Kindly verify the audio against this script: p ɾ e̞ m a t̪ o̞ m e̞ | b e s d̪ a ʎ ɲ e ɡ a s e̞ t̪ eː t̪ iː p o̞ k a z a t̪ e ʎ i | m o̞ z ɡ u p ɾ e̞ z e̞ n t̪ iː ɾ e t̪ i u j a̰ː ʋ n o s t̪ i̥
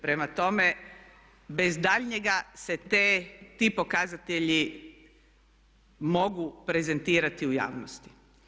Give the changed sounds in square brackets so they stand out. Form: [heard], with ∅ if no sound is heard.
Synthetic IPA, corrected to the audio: p ɾ e̞ m a t̪ o̞ m e̞ | b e [z] d̪ a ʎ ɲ e ɡ a s e̞ t̪ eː t̪ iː p o̞ k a z a t̪ e ʎ i | m o̞ [∅] ɡ u p ɾ e̞ z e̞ n t̪ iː ɾ [a] t̪ i u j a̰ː ʋ n o s t̪ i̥

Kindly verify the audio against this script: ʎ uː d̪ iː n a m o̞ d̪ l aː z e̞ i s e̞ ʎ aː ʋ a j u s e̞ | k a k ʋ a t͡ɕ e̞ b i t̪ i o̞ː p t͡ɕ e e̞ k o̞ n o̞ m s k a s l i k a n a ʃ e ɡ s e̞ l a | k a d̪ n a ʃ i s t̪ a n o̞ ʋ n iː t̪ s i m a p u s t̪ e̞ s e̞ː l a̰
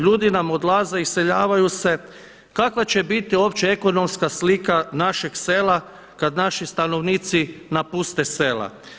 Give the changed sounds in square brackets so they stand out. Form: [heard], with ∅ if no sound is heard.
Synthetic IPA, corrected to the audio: ʎ uː d̪ [i] n a m o̞ d̪ l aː z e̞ i s e̞ ʎ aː ʋ a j u s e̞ | k a k ʋ a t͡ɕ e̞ b i t̪ i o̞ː p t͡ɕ e e̞ k o̞ n o̞ m s k a s l i k a n a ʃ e ɡ s e̞ l a | k a d̪ n a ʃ i s t̪ a n o̞ ʋ n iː t̪ s i [n] a p u s t̪ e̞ s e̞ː l a̰

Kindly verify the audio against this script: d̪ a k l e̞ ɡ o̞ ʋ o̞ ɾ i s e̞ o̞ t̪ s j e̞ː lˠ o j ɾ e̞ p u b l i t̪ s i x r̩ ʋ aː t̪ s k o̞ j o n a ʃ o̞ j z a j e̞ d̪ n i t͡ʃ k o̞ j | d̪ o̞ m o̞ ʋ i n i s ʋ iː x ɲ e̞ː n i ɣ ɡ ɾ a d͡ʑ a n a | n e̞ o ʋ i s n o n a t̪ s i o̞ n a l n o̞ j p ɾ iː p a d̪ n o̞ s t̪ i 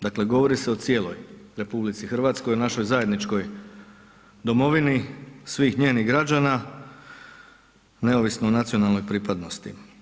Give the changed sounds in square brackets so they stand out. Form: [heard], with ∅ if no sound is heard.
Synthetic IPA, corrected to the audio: d̪ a k l e̞ ɡ o̞ ʋ o̞ ɾ i s e̞ o̞ t̪ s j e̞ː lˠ o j ɾ e̞ p u b l i t̪ s i x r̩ ʋ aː t̪ s k o̞ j o n a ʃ o̞ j z a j e̞ d̪ n i t͡ʃ k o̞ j | d̪ o̞ m o̞ ʋ i n i s ʋ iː x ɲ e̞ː n i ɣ ɡ ɾ a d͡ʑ a n a | n e̞ o ʋ i s n o n a t̪ s i o̞ n a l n o̞ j p ɾ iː p a d̪ n o̞ s t̪ i

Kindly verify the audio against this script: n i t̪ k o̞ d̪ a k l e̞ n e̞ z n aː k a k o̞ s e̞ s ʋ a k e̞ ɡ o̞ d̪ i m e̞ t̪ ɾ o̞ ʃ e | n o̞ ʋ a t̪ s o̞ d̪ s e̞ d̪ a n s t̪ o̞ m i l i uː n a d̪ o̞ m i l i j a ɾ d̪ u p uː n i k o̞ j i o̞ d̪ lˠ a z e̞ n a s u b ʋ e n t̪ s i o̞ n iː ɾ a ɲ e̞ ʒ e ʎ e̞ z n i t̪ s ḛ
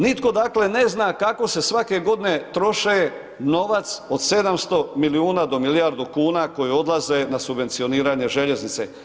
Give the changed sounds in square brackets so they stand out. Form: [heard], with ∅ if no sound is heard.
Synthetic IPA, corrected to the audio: n i t̪ k o̞ d̪ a k l e̞ n e̞ z n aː k a k o̞ s e̞ s ʋ a k e̞ ɡ o̞ d̪ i [n] e̞ t̪ ɾ o̞ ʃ e | n o̞ ʋ a t̪ s o̞ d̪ s e̞ d̪ a [m] s t̪ o̞ m i l i uː n a d̪ o̞ m i l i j a ɾ d̪ u [k] uː n [a] k o̞ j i o̞ d̪ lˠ a z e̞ n a s u b ʋ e n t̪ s i o̞ n iː ɾ a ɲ e̞ ʒ e ʎ e̞ z n i t̪ s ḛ

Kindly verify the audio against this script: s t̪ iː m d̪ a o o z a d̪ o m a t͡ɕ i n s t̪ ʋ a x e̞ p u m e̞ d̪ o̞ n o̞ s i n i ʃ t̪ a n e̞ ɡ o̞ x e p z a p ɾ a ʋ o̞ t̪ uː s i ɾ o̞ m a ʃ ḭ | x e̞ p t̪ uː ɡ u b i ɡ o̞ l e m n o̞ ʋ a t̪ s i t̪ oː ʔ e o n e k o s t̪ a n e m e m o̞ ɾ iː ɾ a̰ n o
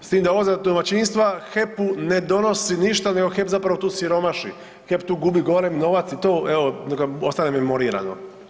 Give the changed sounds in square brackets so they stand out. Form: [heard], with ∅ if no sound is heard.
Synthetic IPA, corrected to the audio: s t̪ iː m d̪ a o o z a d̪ o m a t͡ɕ i n s t̪ ʋ a x e̞ p u [n] e̞ d̪ o̞ n o̞ s i n i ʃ t̪ a n e̞ ɡ o̞ x e p z a p ɾ a ʋ o̞ t̪ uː s i ɾ o̞ m a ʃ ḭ | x e̞ p t̪ uː ɡ u b i ɡ o̞ l e m n o̞ ʋ a t̪ s i t̪ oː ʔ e o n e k o s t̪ a n e m e m o̞ ɾ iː ɾ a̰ n o

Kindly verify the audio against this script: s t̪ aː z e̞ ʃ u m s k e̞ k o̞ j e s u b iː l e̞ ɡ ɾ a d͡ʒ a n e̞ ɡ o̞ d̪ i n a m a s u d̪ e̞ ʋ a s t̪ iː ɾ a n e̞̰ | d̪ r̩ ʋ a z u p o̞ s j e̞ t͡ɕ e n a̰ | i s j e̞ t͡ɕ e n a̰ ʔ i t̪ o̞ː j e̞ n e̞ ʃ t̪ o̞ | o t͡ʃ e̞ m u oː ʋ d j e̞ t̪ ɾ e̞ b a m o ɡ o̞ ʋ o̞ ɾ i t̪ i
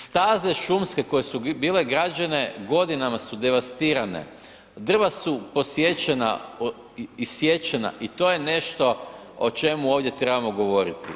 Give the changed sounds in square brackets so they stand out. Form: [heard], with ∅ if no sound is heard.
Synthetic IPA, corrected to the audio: s t̪ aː z e̞ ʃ u m s k e̞ k o̞ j e s u b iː l e̞ ɡ ɾ a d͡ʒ a n e̞ ɡ o̞ d̪ i n a m a s u d̪ e̞ ʋ a s t̪ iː ɾ a n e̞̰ | d̪ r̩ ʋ a [s] u p o̞ s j e̞ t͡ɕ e n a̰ | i s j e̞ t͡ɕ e n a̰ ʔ i t̪ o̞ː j e̞ n e̞ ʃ t̪ o̞ | o t͡ʃ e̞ m u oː ʋ d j e̞ t̪ ɾ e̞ b a m o ɡ o̞ ʋ o̞ ɾ i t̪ i

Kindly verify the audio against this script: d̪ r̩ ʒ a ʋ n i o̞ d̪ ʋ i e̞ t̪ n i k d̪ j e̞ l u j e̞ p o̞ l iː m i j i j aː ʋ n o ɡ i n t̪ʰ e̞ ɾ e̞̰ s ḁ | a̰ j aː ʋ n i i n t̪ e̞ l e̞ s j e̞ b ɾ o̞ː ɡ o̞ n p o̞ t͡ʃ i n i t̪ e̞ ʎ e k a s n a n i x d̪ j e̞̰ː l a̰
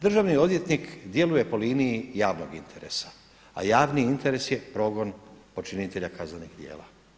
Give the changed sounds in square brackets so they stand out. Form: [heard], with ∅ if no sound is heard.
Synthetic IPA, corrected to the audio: d̪ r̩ ʒ a ʋ n i o̞ d̪ ʋ [j] e̞ t̪ n i k d̪ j e̞ l u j e̞ p o̞ l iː [n] i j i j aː ʋ n o ɡ i n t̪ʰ e̞ ɾ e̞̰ s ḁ | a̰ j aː ʋ n i i n t̪ e̞ [ɾ] e̞ s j e̞ [p] ɾ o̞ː ɡ o̞ n p o̞ t͡ʃ i n i t̪ e̞ ʎ [a] k a [z] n a n i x d̪ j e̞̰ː l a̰

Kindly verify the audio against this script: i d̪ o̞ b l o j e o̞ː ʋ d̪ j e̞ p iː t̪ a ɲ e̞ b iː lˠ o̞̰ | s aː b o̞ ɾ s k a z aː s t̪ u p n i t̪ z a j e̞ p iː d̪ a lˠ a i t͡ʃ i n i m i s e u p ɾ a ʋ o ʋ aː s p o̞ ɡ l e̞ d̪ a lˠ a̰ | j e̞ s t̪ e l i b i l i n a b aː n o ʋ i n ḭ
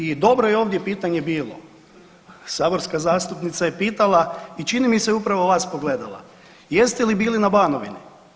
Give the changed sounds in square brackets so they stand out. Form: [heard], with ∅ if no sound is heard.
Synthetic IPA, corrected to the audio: i d̪ o̞ b [ɾ] o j e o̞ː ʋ d̪ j e̞ p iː t̪ a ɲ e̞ b iː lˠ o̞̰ | s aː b o̞ ɾ s k a z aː s t̪ u p n i t̪ [s] a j e̞ p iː [t̪] a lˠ a i t͡ʃ i n i m i s e u p ɾ a ʋ o ʋ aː s p o̞ ɡ l e̞ d̪ a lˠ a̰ | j e̞ s t̪ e l i b [iː] l i n a b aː n o ʋ i n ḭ

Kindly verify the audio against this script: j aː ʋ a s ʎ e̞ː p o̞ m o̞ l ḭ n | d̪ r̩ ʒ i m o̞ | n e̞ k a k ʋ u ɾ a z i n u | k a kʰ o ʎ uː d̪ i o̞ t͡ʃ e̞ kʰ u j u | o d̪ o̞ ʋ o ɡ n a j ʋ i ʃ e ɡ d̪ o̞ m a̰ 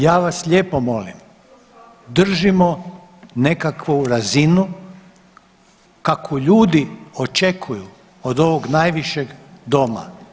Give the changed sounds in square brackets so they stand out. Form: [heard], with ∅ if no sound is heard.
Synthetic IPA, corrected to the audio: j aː ʋ a s ʎ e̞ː p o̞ m o̞ l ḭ [m] | d̪ r̩ ʒ i m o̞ | n e̞ k a k ʋ u ɾ a z i n u | k a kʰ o ʎ uː d̪ i o̞ t͡ʃ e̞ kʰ u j u | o d̪ o̞ ʋ o ɡ n a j ʋ i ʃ e ɡ d̪ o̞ m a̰

